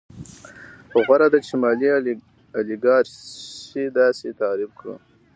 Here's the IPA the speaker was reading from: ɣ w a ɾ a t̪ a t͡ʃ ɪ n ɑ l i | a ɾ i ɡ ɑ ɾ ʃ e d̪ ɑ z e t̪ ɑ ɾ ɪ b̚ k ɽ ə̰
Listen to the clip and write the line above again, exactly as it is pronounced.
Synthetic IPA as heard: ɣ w a ɾ a d̪ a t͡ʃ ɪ m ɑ l i | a l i ɡ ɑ ɾ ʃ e d̪ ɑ s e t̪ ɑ ɾ ɪ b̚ k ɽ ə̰

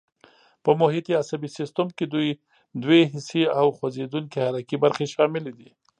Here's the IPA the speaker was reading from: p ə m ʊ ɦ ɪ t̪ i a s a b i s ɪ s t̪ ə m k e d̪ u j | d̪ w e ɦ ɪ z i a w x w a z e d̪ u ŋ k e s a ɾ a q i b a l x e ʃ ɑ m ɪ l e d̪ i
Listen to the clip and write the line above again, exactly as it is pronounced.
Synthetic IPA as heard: p ə m ʊ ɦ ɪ t̪ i a s a b i s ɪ s t̪ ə m k e d̪ u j | d̪ w e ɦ ɪ s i a w x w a z e d̪ u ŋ k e h a ɾ a k i b a ɾ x e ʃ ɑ m ɪ l e d̪ i

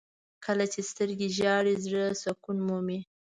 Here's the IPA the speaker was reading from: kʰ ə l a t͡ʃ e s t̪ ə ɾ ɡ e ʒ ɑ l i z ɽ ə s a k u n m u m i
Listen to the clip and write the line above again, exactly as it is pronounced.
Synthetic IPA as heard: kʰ ə l a t͡ʃ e s t̪ ə ɾ ɡ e ʒ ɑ ɽ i z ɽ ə s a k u n m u m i

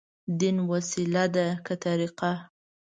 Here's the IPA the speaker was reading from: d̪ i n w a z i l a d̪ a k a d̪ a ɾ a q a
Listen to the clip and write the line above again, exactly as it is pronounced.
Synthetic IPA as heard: d̪ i n w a s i l a d̪ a k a t̪ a ɾ i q a

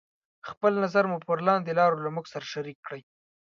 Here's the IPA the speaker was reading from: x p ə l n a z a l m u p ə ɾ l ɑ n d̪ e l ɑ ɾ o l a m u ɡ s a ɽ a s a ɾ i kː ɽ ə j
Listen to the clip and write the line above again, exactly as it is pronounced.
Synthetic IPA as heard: x p ə l n a z a ɾ m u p ə ɾ l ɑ n d̪ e l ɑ ɾ o l a m u ɡ s a ɾ a ʃ a ɾ i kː ɽ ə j

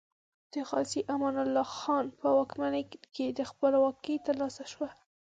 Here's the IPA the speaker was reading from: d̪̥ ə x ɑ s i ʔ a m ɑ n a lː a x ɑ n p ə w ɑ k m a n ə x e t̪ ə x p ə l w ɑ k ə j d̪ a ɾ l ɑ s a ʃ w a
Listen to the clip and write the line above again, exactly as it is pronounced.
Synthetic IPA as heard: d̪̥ ə x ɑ s i ʔ a m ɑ n a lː ɑ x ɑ n p ə w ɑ k m a n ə k e d̪ ə x p ə l w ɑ k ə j t̪ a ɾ l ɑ s a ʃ w a

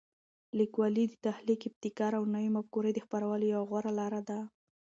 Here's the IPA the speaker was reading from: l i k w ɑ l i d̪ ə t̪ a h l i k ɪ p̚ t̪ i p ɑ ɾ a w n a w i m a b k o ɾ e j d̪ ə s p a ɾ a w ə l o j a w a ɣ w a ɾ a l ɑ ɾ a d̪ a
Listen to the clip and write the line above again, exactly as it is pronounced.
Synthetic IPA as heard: l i k w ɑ l i d̪ ə t̪ a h l i k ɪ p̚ t̪ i k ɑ ɾ a w n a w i m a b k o ɾ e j d̪ ə x p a ɾ a w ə l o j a w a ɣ w a ɾ a l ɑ ɾ a d̪ a

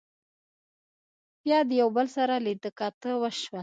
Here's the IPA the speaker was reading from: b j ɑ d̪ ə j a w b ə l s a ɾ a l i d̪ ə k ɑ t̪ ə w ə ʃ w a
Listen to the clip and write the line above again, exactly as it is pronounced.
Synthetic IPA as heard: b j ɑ d̪ ə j a w b ə l s a ɾ a l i d̪ ə k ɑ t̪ ə w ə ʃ w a

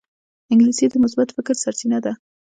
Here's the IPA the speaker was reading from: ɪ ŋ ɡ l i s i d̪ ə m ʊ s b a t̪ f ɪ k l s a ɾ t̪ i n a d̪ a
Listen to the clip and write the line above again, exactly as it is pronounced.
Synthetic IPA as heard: ɪ ŋ ɡ l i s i d̪ ə m ʊ s b a t̪ f ɪ k ɾ s a ɾ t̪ i n a d̪ a

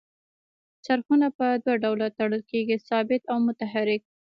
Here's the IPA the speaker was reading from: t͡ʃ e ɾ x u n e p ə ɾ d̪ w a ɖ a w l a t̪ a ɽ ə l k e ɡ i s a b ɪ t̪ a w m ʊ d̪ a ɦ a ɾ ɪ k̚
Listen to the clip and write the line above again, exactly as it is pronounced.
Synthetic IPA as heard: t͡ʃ a ɾ x u n a p ə d̪ w a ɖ a w l a t̪ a ɽ ə l k e ɡ i s ɑ b ɪ t̪ a w m ʊ t̪ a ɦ a ɾ ɪ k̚

